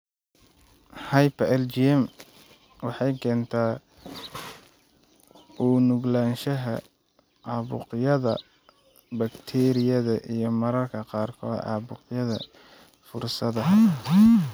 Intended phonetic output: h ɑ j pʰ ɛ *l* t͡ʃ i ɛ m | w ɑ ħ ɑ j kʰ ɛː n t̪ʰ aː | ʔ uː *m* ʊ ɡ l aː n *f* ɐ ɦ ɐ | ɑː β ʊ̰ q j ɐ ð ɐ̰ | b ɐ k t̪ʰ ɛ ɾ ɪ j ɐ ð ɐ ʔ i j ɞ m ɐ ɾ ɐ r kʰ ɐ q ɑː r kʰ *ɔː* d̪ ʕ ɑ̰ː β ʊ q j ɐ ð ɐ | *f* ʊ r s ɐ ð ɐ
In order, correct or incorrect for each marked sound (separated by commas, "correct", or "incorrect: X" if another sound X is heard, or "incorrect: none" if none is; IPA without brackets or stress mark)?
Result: correct, incorrect: n, incorrect: ʃ, correct, correct